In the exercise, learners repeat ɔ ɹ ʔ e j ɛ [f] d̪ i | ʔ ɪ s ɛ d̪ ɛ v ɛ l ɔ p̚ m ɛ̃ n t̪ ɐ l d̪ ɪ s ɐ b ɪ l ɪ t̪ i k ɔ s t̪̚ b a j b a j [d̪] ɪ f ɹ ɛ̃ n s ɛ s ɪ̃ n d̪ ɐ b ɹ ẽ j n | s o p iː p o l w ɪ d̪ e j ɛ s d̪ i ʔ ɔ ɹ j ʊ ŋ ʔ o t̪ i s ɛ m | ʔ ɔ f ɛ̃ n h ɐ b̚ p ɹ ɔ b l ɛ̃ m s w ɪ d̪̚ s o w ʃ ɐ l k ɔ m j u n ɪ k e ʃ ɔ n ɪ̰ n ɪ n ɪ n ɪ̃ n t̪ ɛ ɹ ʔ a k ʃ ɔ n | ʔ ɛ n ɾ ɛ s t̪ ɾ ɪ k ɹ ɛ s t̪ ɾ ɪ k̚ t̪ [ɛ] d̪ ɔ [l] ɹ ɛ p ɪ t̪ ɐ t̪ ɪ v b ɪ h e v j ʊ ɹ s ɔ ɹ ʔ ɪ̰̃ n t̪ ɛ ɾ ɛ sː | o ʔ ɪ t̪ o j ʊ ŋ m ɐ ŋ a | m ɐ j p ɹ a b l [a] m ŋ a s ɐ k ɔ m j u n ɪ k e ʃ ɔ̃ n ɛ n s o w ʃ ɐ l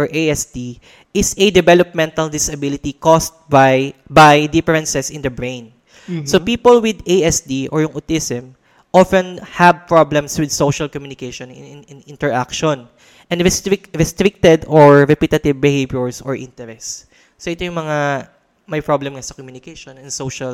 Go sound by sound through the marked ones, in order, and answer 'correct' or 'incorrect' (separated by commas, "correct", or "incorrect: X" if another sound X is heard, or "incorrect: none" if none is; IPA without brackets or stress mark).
incorrect: s, correct, correct, incorrect: ɹ, incorrect: ɛ